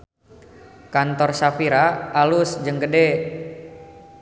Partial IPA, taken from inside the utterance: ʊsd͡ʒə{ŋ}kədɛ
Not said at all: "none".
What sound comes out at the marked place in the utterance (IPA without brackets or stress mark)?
ŋ